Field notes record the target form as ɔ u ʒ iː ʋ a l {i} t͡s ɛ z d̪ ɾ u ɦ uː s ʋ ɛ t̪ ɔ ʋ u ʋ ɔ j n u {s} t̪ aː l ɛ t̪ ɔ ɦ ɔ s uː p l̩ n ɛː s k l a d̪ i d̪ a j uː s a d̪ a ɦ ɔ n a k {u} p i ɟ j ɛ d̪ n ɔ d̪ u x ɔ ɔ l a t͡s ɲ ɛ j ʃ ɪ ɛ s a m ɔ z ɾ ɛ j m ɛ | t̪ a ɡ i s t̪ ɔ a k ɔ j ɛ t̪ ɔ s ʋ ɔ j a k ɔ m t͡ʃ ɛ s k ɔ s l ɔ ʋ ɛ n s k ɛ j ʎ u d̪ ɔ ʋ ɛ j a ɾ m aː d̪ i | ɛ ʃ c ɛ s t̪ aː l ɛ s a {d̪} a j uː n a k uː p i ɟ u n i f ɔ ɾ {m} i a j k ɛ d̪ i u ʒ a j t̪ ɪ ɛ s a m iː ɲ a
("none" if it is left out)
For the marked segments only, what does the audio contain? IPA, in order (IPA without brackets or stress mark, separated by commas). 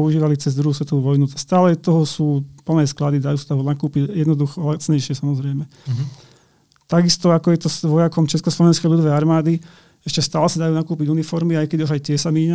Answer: i, s, uː, d̪, m